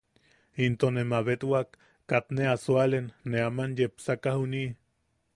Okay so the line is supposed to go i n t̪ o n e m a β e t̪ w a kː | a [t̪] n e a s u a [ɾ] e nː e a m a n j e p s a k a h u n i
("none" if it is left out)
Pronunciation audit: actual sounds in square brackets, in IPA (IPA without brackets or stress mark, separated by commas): t̪, l